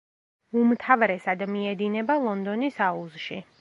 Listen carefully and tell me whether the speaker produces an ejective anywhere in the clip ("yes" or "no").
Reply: no